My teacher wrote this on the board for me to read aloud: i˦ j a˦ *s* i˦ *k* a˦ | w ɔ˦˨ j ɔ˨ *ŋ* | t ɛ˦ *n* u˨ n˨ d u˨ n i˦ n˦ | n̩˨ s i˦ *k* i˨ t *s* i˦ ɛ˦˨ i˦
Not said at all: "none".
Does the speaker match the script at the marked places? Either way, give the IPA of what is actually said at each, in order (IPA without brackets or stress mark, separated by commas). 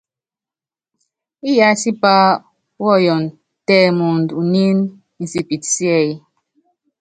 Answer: s, p, n, m, p, s